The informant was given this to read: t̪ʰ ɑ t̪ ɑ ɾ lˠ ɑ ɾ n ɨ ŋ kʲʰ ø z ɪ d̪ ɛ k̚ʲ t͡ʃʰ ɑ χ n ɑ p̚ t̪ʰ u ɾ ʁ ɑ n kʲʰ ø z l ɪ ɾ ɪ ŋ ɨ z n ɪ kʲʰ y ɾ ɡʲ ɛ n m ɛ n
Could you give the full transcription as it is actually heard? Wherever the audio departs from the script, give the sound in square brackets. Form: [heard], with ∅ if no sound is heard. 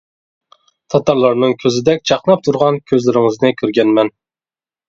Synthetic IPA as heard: t̪ʰ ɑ t̪ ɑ ɾ lˠ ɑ ɾ n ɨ ŋ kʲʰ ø z ɪ d̪ ɛ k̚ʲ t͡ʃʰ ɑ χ n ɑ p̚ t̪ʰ u ɾ ʁ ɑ n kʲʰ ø z l ɪ ɾ ɪ ŋ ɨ z n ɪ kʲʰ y ɾ ɡʲ ɛ n m ɛ n